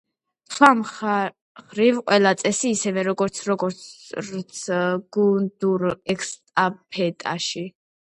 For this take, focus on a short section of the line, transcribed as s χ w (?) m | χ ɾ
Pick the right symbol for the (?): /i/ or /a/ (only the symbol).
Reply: a